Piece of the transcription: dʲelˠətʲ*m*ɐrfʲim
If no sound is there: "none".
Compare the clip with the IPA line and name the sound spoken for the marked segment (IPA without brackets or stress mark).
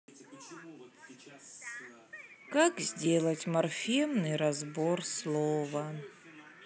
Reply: m